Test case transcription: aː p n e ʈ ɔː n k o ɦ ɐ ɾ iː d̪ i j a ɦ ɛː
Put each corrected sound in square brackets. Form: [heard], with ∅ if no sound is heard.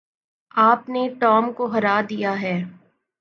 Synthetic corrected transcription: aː p n e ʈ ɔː [m] k o ɦ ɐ ɾ [aː] d̪ i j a ɦ ɛː